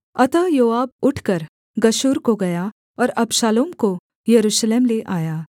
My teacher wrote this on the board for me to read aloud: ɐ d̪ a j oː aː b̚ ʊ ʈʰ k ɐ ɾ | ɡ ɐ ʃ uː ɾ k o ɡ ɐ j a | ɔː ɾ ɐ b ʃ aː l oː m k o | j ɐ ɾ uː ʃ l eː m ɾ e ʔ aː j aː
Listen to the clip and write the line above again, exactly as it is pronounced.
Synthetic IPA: ɐ t̪ a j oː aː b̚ ʊ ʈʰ k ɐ ɾ | ɡ ɐ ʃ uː ɾ k o ɡ ɐ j a | ɔː ɾ ɐ b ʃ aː l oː m k o | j ɐ ɾ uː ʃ l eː m l e ʔ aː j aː

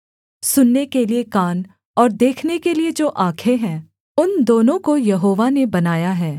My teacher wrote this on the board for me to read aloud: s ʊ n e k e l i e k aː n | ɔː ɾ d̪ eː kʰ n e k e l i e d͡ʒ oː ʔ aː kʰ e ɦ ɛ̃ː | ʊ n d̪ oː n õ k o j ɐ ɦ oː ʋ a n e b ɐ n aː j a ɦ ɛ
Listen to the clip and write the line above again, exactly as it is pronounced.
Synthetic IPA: s ʊ nː e k e l i e k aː n | ɔː ɾ d̪ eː kʰ n e k e l i e d͡ʒ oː ʔ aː kʰ e ɦ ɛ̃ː | ʊ n d̪ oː n õ k o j ɐ ɦ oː ʋ a n e b ɐ n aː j a ɦ ɛː

